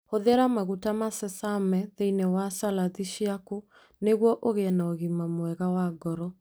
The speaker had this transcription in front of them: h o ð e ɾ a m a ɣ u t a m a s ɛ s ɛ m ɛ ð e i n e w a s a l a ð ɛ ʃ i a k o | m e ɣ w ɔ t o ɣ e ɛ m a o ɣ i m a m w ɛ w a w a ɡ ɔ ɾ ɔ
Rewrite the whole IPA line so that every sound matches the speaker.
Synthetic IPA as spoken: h o ð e ɾ a m a ɣ u t a m a s ɛ s a m ɛ ð e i n e w a s a l a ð i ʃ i a k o | n e ɣ w ɔ ʔ o ɣ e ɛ n a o ɣ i m a m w ɛ ɣ a w a ɡ ɔ ɾ ɔ